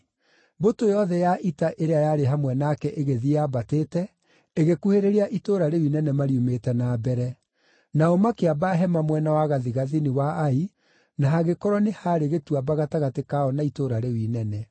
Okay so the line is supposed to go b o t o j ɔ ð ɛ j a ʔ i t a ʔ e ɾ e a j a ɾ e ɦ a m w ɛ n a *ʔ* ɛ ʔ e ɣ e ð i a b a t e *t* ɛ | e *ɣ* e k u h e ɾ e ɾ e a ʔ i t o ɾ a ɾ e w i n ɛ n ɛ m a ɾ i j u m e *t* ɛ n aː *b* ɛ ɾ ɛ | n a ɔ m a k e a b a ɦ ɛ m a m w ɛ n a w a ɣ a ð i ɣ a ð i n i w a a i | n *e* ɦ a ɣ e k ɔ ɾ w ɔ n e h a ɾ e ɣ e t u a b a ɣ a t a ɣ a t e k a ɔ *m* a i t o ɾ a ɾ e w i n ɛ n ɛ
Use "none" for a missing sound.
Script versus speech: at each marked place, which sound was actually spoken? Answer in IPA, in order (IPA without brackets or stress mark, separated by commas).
k, t, ɣ, t, b, a, n